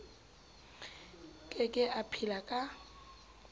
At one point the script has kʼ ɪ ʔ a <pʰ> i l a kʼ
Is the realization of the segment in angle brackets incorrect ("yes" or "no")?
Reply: no